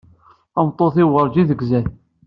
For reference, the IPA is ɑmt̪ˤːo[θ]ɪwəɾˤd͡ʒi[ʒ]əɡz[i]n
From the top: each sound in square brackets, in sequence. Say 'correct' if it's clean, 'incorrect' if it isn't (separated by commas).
correct, incorrect, incorrect